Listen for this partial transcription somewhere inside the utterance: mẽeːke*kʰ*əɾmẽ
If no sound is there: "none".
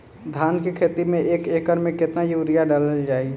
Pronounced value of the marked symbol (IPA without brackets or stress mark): k